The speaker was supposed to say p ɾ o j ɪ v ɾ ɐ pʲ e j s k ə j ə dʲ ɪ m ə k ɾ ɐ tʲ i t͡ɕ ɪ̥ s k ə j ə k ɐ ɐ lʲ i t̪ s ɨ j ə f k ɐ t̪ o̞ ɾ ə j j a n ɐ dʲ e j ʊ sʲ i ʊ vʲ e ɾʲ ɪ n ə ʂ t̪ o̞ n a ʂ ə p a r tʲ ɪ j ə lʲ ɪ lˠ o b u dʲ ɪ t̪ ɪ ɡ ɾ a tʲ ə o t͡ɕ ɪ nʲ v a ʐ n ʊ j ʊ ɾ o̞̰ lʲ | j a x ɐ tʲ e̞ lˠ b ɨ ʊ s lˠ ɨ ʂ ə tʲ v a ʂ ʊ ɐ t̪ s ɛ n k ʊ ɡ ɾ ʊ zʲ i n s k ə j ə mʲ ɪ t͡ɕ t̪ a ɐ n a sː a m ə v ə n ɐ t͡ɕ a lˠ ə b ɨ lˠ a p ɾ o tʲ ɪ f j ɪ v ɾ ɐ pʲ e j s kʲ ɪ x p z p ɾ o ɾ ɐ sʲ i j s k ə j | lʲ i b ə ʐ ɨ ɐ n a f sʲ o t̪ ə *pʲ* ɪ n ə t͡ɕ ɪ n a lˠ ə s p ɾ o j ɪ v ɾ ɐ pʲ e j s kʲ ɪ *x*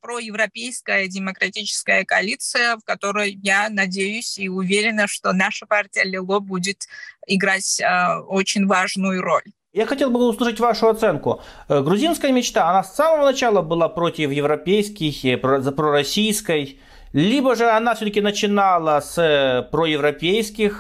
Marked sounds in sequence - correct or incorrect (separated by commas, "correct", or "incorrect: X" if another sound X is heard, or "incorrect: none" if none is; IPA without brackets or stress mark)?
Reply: incorrect: kʲ, correct